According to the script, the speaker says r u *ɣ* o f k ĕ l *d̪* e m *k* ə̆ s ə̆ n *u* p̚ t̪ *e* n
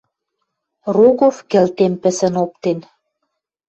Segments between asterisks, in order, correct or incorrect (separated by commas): correct, incorrect, incorrect, incorrect, correct